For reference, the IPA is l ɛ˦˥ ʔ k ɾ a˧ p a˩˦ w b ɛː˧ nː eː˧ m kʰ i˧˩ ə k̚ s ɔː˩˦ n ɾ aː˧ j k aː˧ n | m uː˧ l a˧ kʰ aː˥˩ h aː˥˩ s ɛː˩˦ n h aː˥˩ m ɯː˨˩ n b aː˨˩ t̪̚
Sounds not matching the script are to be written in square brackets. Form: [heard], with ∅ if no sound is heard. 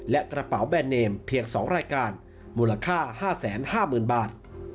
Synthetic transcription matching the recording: l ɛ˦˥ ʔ k ɾ a˧ p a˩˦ w b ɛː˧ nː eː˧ m [pʰ] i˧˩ ə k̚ s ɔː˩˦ [ŋ] ɾ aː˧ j k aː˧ n | m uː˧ l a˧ kʰ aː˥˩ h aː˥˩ s ɛː˩˦ n h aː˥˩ m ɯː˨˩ n b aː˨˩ t̪̚